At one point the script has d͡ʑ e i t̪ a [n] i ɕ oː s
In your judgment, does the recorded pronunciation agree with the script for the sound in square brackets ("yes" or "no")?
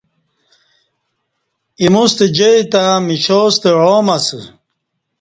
no